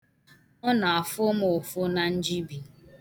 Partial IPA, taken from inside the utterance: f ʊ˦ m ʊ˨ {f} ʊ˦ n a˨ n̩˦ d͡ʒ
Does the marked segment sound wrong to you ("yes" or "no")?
no